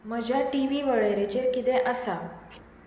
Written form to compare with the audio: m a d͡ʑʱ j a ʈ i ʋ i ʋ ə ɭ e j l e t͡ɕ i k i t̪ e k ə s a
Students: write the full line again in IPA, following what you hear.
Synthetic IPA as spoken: m ə d͡ʑʱ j a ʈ i ʋ i ʋ ə ɭ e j ɾ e t͡ɕ e k i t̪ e ʔ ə s a

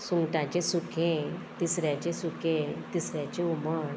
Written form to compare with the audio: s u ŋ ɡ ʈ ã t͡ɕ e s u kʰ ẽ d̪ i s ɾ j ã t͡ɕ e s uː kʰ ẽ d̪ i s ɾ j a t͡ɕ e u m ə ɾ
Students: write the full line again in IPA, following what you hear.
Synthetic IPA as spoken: s u ŋ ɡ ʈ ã t͡ɕ e s u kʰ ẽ t̪ i s ɾ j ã t͡ɕ e s u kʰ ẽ t̪ i s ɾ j a t͡ɕ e u m ə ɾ

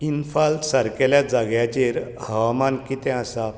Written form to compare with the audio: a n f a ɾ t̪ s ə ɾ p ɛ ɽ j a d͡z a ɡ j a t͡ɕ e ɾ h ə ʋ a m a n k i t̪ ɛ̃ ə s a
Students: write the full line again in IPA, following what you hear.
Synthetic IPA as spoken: i n f a l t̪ s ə ɾ k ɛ l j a d͡z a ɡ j a t͡ɕ e ɾ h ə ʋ a m a n k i t̪ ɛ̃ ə s a

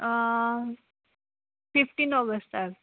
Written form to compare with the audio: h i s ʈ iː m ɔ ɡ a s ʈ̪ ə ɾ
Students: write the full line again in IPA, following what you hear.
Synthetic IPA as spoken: f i f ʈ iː n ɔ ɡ ə s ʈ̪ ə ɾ

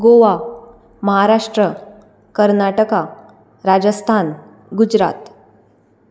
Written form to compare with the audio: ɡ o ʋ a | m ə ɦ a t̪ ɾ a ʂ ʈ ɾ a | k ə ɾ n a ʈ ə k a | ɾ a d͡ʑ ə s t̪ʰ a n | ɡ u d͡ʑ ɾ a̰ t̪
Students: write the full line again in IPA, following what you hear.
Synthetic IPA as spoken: ɡ o ʋ a | m ə ɦ a ɾ a ʂ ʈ ɾ ə | k ə ɾ n a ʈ ə k a | ɾ a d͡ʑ ə s t̪ʰ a n | ɡ u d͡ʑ ɾ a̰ t̪

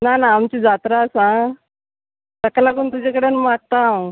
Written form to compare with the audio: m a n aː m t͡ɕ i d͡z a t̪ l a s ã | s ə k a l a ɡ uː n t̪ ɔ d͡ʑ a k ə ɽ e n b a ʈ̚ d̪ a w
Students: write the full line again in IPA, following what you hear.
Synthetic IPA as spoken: n a n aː m t͡ɕ i d͡z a t̪ ɾ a s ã | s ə k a l a ɡ uː n t̪ u d͡ʑ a k ə ɽ e n m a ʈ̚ t̪ a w

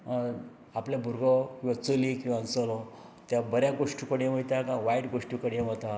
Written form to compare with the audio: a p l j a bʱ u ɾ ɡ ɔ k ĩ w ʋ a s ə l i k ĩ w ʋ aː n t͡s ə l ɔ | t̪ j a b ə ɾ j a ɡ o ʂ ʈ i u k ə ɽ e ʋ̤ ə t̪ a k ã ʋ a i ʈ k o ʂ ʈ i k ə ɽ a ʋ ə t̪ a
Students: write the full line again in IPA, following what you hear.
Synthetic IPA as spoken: a p l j a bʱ u ɾ ɡ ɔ k ĩ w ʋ a t͡s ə l i k ĩ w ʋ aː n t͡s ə l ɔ | t̪ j a b ə ɾ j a ɡ o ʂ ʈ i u k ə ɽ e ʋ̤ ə t̪ a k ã ʋ a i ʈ ɡ o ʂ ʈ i k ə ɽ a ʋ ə t̪ a

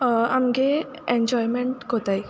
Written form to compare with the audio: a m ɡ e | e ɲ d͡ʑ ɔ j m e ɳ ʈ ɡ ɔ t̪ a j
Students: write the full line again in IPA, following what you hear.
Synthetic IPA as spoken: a m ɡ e | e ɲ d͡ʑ ɔ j m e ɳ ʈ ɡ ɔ t̪ a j

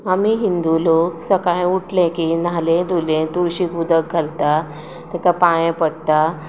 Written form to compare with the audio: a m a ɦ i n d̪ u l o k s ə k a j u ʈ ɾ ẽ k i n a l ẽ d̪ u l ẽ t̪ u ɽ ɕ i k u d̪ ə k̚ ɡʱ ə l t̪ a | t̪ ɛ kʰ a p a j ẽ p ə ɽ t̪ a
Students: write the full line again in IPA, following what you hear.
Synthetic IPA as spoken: a m i ɦ i n d̪ u l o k s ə k a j u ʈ l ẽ k i n a l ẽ d̪ u l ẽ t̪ u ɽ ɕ i k u d̪ ə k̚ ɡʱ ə l t̪ a | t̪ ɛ k a p a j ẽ p ə ɽ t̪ a

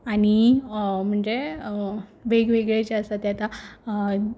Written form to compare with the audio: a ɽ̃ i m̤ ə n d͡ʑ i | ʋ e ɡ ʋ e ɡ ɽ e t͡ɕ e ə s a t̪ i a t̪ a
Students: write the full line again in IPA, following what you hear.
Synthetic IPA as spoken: a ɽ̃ i m̤ ə ɳ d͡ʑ e | ʋ e ɡ ʋ e ɡ ɭ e t͡ɕ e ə s a t̪ j a t̪ a

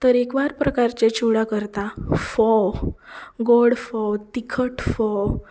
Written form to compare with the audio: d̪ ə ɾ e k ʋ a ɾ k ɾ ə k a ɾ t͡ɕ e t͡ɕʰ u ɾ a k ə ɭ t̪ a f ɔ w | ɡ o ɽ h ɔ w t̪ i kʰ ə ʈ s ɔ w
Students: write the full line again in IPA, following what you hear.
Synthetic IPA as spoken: t̪ ə ɾ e k ʋ a ɾ p ɾ ə k a ɾ t͡ɕ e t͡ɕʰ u ɽ a k ə ɾ t̪ a f ɔ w | ɡ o ɽ f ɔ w t̪ i kʰ ə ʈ f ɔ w

